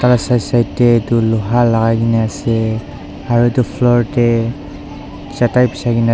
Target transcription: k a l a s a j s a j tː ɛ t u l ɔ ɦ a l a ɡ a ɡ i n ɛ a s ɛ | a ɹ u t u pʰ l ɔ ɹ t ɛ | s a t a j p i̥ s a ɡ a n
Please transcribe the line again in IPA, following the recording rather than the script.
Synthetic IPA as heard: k a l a s a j s a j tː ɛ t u l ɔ ɦ a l a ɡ a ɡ i n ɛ a s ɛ | a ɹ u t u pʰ l ɔ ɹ t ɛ | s a t a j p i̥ s a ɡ i n